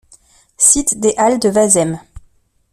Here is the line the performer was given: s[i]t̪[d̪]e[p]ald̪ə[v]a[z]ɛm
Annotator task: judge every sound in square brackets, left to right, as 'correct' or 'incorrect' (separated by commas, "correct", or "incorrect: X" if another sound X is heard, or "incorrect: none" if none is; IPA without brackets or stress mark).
correct, correct, incorrect: ʔ, correct, correct